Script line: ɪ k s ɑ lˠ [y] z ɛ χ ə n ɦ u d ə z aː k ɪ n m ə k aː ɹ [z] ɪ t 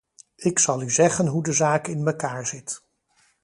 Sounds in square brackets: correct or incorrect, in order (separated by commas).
correct, correct